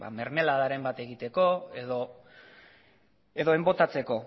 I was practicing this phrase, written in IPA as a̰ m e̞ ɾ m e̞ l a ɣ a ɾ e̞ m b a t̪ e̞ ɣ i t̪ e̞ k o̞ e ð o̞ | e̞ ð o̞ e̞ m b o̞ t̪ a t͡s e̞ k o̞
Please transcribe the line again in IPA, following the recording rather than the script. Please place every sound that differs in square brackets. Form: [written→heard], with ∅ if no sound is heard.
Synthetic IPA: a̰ m e̞ ɾ m e̞ l a [ɣ→ð] a ɾ e̞ m b a t̪ e̞ ɣ i t̪ e̞ k o̞ e ð o̞ | e̞ ð o̞ e̞ m b o̞ t̪ a t͡s e̞ k o̞